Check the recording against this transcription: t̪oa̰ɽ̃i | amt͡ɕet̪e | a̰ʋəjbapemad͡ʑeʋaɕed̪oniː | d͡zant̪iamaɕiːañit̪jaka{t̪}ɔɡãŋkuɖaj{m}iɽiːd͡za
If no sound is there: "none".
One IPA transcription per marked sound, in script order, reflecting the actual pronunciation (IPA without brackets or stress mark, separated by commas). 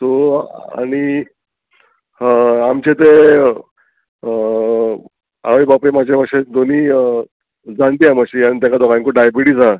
d̪, b